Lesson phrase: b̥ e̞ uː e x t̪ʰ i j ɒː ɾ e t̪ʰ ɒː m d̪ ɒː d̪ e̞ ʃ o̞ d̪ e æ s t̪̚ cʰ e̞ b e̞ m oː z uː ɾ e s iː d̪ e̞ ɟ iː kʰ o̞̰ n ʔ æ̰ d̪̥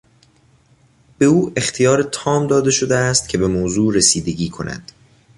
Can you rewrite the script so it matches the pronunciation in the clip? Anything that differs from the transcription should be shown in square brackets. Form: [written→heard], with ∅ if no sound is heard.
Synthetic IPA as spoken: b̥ e̞ uː e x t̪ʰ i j ɒː ɾ e t̪ʰ ɒː m d̪ ɒː d̪ e̞ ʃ o̞ d̪ e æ s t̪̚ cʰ e̞ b e̞ m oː z uː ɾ e s iː d̪ e̞ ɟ iː kʰ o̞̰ n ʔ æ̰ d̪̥